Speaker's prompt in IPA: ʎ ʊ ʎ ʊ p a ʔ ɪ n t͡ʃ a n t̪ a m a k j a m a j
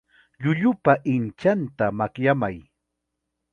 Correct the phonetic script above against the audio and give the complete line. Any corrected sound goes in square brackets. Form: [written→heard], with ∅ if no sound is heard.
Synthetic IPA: ʎ ʊ ʎ ʊ p a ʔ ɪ n t͡ʃ a n t̪ a m a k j a m a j